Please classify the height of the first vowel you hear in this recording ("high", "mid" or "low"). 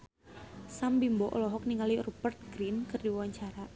low